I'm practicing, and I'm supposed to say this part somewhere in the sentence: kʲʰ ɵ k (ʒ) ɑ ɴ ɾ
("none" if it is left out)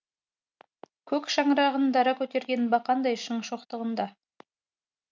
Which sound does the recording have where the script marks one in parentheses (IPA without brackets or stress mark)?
ʃ